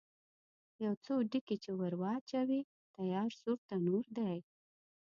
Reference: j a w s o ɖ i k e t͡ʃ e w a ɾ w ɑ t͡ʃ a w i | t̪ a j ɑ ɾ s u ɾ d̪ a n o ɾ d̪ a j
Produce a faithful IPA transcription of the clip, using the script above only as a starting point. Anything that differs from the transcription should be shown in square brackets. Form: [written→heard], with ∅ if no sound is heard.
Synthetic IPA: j a w [s→t͡s] o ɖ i k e t͡ʃ e w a ɾ w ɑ t͡ʃ a w i | t̪ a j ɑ ɾ s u ɾ [d̪→t̪] a n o ɾ d̪ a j